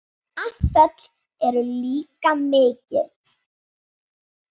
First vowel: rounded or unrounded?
unrounded